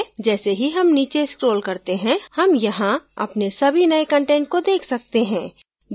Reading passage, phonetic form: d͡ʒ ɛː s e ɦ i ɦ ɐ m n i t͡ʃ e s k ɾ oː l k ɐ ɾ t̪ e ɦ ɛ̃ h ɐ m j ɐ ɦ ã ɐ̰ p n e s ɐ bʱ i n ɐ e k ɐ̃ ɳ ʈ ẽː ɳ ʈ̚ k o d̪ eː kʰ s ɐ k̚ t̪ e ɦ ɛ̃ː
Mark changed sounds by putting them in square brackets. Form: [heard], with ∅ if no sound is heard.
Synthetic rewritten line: d͡ʒ ɛː s e ɦ i ɦ ɐ m n [iː] t͡ʃ e s k ɾ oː l k ɐ ɾ t̪ e ɦ ɛ̃ h ɐ m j ɐ ɦ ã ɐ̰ p n e s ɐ bʱ i n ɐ e k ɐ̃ ɳ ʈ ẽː ɳ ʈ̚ k o d̪ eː kʰ s ɐ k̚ t̪ e ɦ ɛ̃ː